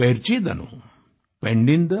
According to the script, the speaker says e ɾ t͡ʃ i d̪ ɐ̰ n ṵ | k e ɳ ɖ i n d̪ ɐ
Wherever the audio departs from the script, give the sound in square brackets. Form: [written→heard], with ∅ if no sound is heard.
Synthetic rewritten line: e ɾ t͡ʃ i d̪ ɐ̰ n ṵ | [k→p] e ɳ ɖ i n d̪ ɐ

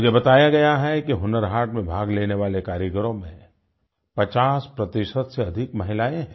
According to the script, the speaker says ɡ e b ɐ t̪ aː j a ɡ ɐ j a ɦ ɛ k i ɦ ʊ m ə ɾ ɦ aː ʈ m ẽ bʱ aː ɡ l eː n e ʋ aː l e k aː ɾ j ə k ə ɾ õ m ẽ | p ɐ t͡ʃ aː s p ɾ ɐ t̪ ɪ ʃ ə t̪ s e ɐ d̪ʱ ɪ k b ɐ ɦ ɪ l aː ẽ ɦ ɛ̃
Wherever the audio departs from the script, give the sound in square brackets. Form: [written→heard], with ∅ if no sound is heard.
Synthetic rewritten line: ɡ e b ɐ t̪ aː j a ɡ ɐ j a ɦ ɛ k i ɦ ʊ [m→n] ə ɾ ɦ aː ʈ m ẽ bʱ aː ɡ l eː n e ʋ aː l e k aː ɾ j ə k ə ɾ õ m ẽ | p ɐ t͡ʃ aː s p ɾ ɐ t̪ ɪ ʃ ə t̪ s e ɐ d̪ʱ ɪ k [b→m] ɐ ɦ ɪ l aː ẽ ɦ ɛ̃

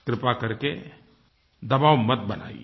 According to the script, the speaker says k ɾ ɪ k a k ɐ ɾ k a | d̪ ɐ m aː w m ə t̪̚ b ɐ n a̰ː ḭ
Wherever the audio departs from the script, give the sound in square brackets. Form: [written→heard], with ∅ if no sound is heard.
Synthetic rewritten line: k ɾ ɪ [k→p] a k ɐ ɾ k [a→e] | d̪ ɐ [m→b] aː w m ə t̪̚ b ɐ n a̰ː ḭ

